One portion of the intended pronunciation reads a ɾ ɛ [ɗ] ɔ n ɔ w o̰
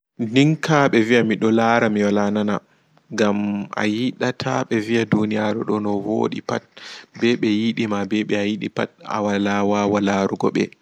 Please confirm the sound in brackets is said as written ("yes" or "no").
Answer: yes